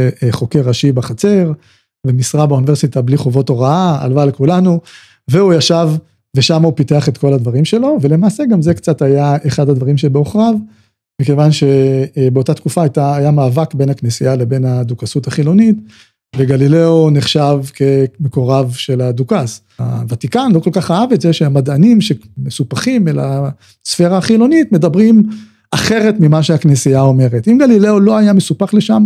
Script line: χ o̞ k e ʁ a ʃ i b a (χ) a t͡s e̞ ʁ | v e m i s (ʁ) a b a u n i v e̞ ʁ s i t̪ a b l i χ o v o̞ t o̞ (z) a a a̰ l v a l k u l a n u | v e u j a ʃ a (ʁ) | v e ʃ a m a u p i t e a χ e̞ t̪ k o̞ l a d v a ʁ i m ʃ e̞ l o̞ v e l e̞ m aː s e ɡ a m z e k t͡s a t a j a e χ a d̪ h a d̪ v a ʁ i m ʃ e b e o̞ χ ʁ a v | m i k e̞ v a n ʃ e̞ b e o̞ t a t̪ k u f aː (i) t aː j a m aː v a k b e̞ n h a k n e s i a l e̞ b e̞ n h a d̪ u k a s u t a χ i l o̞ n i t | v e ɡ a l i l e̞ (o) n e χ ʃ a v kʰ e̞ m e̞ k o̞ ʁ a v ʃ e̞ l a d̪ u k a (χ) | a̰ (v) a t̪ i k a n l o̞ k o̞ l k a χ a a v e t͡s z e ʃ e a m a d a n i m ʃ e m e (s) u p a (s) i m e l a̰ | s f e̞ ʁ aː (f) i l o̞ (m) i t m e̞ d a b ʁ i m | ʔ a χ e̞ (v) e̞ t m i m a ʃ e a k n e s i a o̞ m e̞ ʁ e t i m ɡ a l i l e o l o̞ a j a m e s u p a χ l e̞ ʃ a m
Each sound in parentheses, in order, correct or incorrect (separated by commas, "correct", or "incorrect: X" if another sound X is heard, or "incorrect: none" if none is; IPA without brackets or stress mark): correct, correct, incorrect: ʁ, incorrect: v, incorrect: j, correct, incorrect: s, correct, correct, incorrect: χ, incorrect: χ, incorrect: n, incorrect: ʁ